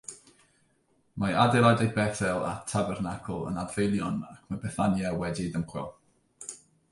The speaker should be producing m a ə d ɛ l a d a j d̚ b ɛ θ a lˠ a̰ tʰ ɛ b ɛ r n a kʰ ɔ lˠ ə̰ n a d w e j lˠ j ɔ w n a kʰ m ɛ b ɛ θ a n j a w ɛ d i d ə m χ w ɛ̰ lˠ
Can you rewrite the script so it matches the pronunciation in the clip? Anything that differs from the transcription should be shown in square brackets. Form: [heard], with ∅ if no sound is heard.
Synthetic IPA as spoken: m a [a] d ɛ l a d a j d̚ b ɛ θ [ɛ] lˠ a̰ tʰ [a] b ɛ r n a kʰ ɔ lˠ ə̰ n a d [v] e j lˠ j ɔ [∅] n a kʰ m [a] b ɛ θ a n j a w ɛ d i d ə m χ w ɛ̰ lˠ